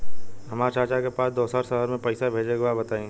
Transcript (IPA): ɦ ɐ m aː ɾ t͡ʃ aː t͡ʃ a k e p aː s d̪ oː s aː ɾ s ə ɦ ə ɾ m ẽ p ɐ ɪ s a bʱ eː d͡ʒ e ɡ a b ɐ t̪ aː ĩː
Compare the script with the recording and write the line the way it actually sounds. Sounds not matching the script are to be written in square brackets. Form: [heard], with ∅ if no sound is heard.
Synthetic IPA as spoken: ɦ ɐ m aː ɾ t͡ʃ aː t͡ʃ a k e p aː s d̪ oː s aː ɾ s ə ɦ ə ɾ m ẽ p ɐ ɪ s a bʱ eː d͡ʒ e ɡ a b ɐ t̪ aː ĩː

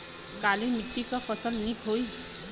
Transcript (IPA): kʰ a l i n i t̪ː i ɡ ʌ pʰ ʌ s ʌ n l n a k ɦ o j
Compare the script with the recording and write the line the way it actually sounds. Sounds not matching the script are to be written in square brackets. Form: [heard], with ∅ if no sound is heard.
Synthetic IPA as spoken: [k] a l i [m] i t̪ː i [k] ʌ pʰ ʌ s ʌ [∅] l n [i] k ɦ o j

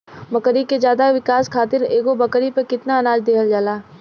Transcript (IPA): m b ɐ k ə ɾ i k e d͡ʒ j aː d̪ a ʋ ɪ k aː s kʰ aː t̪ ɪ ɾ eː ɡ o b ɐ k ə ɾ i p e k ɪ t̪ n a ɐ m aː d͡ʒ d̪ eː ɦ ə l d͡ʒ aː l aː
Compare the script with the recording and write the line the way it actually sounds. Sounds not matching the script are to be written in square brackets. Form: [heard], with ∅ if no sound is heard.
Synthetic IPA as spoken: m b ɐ k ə ɾ i k e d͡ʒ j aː d̪ a ʋ ɪ k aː s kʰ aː t̪ ɪ ɾ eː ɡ o b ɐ k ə ɾ i p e k ɪ t̪ n a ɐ [n] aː d͡ʒ d̪ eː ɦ ə l d͡ʒ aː l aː

